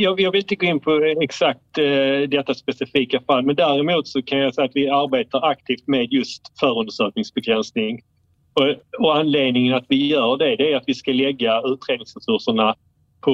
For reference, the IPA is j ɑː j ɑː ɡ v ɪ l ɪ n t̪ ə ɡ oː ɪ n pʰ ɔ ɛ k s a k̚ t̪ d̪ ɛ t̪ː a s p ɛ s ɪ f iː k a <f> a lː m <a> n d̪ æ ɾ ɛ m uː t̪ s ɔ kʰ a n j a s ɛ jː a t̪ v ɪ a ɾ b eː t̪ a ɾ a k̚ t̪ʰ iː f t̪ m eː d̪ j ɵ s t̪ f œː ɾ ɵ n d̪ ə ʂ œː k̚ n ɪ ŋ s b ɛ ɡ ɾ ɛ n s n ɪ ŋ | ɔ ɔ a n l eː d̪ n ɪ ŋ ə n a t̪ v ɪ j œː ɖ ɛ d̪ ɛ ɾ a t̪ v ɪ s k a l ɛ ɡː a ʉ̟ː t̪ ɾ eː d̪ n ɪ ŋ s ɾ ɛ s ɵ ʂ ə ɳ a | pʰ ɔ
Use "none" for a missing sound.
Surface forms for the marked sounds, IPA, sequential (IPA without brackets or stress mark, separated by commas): f, ɛ